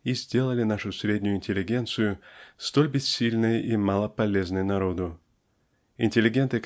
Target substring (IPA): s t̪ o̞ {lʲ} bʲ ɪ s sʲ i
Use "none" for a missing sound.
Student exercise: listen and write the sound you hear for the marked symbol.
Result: lʲ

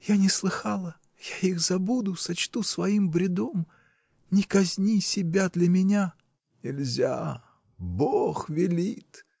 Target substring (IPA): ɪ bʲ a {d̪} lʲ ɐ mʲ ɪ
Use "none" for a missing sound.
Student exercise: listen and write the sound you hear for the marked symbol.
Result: d̪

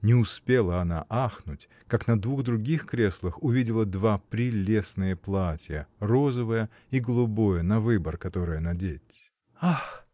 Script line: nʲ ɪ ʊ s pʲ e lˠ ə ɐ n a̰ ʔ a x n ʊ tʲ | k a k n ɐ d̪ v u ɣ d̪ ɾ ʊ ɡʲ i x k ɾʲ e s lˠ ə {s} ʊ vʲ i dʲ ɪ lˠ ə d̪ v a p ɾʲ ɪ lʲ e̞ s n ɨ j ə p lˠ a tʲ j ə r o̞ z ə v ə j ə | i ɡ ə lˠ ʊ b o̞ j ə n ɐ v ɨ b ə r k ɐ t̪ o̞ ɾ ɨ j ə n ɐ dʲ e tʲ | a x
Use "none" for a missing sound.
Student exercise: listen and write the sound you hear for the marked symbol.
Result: x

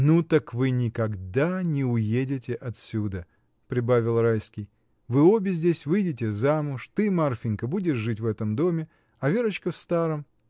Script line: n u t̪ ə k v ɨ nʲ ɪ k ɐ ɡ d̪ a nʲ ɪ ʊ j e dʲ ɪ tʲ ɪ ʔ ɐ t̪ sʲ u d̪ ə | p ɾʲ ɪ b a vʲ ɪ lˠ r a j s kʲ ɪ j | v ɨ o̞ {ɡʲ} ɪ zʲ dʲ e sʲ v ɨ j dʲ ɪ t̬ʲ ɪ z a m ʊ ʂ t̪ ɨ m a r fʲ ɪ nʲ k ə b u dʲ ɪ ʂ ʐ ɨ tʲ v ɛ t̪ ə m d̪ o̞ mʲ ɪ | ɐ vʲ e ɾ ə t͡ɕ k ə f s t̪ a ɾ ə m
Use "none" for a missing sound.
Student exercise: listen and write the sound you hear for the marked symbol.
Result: bʲ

